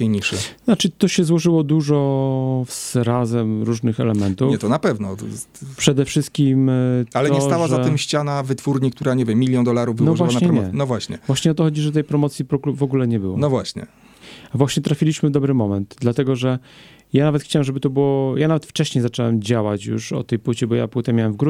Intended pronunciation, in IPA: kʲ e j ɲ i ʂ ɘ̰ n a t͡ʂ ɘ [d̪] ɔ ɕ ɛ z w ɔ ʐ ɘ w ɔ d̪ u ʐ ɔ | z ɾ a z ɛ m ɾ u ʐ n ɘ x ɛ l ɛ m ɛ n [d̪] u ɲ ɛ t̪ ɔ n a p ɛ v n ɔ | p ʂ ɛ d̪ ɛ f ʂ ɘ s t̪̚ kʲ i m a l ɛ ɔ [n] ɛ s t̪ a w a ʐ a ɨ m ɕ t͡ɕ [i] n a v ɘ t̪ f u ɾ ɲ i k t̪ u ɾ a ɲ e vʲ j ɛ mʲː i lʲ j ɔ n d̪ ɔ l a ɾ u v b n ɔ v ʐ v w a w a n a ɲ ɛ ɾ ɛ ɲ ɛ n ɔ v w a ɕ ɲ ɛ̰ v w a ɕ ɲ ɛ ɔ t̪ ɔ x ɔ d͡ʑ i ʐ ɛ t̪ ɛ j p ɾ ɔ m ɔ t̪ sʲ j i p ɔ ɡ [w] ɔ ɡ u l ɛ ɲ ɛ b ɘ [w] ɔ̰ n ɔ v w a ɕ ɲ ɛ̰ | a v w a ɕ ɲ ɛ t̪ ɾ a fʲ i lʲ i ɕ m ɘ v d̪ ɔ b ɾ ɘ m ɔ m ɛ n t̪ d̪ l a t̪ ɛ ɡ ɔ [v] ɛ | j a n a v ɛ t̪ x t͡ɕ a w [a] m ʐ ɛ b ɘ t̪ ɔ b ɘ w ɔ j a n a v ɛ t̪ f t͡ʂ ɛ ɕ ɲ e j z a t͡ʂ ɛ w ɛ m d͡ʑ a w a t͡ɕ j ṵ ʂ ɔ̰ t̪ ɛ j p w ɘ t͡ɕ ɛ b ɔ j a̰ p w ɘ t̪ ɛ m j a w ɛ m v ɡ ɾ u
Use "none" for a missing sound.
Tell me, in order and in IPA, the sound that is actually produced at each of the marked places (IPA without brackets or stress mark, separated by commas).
t̪, t̪, ɲ, a, v, w, ʐ, ɛ